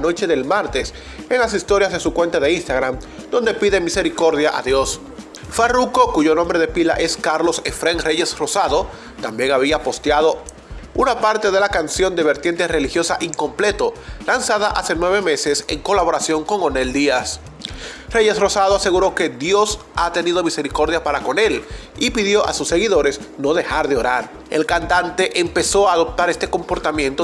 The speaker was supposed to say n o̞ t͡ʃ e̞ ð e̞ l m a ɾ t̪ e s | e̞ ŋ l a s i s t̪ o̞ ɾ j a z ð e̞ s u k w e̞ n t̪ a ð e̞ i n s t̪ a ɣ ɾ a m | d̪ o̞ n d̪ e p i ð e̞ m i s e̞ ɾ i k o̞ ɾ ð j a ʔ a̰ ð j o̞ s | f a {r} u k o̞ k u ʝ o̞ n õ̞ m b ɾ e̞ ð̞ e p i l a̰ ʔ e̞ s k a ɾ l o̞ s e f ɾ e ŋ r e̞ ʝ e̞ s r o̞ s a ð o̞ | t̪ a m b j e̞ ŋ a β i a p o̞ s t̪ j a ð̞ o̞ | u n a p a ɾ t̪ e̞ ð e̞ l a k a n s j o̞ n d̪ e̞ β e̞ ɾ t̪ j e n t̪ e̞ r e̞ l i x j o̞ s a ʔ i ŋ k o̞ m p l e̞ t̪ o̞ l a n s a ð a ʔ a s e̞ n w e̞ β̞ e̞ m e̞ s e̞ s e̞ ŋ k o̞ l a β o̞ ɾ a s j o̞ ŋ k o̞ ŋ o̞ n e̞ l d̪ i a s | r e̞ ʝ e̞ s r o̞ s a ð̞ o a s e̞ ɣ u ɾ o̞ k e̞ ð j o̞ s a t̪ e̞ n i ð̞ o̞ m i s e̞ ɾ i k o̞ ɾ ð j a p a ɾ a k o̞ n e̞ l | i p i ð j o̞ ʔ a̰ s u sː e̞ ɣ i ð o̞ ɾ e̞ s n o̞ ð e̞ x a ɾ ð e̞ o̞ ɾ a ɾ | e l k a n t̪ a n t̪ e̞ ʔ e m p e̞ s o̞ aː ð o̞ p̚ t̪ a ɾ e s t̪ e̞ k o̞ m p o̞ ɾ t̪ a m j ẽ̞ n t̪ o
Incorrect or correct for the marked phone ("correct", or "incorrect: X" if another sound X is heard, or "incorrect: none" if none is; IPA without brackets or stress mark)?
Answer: correct